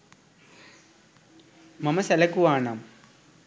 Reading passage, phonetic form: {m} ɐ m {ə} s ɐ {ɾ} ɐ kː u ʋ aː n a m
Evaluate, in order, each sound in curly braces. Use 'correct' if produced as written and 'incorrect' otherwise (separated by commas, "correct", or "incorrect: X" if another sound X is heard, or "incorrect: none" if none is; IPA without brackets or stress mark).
correct, incorrect: ɐ, incorrect: l